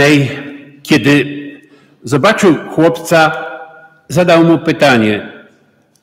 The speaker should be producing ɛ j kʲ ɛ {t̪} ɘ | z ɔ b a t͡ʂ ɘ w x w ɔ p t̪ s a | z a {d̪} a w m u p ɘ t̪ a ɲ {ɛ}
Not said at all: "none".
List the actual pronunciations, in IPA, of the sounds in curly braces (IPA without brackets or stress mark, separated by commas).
d̪, d̪, ɛ